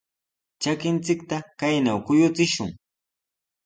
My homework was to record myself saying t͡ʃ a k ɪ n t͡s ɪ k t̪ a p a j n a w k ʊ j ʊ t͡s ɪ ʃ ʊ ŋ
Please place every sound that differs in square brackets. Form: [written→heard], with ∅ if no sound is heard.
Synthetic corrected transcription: t͡ʃ a k ɪ n t͡s ɪ k t̪ a [p→k] a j n a w k ʊ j ʊ t͡s ɪ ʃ ʊ ŋ